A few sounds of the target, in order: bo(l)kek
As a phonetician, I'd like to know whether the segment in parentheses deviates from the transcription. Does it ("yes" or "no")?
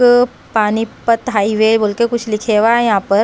no